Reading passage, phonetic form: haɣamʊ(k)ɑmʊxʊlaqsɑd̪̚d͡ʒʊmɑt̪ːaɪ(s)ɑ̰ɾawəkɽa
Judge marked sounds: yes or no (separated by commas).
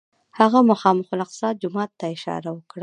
no, no